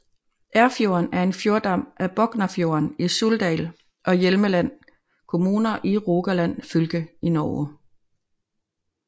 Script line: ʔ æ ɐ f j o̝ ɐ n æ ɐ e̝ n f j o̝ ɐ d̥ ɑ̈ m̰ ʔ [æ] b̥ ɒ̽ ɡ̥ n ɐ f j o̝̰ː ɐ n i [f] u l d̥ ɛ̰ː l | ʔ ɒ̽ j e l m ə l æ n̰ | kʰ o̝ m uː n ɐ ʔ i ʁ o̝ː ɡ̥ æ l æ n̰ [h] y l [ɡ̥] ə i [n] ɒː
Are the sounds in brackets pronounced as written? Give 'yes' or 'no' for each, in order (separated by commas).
yes, no, no, yes, yes